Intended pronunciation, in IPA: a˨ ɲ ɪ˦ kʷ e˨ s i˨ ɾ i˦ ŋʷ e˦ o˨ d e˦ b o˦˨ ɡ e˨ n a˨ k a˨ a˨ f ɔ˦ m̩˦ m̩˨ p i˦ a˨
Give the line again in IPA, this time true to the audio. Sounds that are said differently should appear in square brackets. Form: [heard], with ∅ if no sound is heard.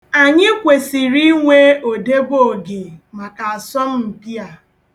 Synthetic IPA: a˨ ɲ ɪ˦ kʷ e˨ s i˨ ɾ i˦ ŋʷ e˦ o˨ d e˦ b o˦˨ ɡ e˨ [m] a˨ k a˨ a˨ [s] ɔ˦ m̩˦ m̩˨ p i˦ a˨